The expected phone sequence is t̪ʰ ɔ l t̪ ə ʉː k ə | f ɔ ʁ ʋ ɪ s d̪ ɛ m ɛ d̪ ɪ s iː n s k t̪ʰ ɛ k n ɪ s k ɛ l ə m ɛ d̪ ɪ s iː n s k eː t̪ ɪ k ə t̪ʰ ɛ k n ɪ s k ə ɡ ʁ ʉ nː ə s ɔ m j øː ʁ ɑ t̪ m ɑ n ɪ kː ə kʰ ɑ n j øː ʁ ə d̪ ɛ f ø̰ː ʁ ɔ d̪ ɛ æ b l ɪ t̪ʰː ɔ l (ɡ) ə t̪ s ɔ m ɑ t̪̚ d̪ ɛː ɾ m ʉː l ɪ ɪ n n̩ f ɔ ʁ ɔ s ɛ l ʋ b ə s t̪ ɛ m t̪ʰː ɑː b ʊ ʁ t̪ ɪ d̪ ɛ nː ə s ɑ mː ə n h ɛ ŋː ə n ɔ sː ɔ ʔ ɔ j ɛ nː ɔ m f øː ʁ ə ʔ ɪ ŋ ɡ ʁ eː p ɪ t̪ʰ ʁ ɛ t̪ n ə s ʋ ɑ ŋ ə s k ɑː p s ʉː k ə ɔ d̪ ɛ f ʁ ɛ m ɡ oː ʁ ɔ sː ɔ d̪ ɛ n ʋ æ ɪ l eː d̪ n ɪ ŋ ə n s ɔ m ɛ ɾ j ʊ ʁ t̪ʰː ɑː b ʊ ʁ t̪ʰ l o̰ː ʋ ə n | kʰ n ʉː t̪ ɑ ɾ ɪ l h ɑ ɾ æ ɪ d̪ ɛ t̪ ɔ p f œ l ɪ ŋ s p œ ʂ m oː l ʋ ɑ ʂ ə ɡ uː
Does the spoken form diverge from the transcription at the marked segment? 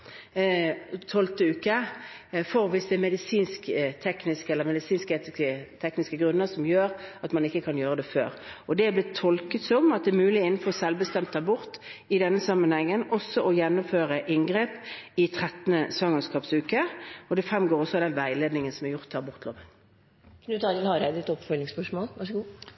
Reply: yes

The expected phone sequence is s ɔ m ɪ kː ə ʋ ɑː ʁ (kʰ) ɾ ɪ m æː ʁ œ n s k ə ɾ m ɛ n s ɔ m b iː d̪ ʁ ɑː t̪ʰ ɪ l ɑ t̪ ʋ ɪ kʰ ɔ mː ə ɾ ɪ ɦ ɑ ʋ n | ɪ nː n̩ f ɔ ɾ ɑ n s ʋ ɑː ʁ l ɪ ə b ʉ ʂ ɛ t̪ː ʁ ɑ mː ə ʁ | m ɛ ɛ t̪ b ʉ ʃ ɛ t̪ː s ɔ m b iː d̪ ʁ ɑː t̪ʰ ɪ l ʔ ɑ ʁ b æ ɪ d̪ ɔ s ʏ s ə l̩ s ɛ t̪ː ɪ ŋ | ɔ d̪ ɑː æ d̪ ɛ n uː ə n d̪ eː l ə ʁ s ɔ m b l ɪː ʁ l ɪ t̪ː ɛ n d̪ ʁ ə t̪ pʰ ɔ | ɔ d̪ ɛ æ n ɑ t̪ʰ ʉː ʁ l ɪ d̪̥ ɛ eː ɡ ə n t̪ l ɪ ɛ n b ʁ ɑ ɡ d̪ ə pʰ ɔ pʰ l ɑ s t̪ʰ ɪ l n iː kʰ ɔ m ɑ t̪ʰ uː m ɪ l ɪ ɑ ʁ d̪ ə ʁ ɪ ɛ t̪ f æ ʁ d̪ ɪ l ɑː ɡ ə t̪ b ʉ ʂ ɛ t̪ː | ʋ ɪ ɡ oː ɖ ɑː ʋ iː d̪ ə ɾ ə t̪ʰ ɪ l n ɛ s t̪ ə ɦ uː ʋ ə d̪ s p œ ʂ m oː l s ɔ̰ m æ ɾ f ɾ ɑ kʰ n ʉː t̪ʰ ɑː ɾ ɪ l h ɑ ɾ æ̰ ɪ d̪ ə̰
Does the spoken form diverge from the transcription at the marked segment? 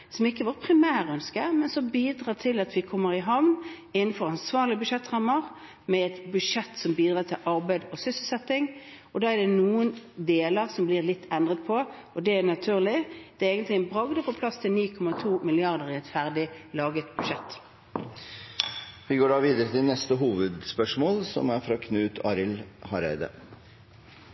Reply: yes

